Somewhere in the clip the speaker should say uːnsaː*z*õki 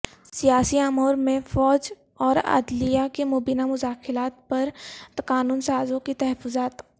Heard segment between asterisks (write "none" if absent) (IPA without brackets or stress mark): z